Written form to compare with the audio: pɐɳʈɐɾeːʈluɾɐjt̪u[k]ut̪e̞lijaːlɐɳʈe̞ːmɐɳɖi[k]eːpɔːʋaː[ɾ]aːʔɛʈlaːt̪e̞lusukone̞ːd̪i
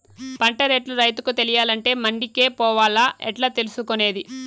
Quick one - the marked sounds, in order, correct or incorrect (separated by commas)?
correct, correct, incorrect